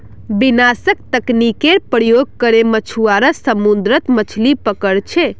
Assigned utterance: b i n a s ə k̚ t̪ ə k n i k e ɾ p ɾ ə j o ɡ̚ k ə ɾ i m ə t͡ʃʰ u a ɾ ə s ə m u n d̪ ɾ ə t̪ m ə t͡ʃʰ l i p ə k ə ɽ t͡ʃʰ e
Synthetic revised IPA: b i n a s ə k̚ t̪ ə k n i k e ɾ p ɾ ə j o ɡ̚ k ə ɾ e m ə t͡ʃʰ u a ɾ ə s ə m u n d̪ ɾ ə t̪ m ə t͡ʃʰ l i p ə k ə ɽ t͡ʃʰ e